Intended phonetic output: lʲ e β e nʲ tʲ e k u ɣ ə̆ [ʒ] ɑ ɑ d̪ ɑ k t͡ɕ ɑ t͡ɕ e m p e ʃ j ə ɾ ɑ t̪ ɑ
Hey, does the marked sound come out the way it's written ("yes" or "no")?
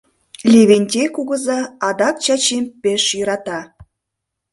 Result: no